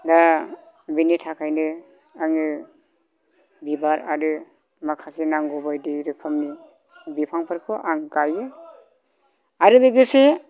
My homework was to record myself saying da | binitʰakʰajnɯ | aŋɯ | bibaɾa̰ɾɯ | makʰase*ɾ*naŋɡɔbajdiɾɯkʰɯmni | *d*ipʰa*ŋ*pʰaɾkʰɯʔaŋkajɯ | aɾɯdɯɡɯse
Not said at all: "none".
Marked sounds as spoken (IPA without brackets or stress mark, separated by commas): none, b, ŋ